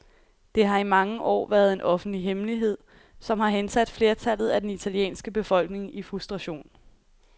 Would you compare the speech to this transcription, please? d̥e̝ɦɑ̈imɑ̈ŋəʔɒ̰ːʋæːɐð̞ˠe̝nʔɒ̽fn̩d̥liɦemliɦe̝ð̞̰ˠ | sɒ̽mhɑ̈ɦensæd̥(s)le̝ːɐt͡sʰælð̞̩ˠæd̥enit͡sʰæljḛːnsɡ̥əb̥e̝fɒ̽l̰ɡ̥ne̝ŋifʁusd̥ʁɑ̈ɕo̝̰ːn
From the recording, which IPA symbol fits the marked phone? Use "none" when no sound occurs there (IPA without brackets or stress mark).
f